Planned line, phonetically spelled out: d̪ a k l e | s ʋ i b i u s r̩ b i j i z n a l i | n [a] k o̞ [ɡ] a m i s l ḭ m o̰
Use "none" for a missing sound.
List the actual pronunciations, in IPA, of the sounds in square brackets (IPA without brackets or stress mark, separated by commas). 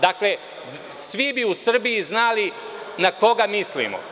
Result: a, ɡ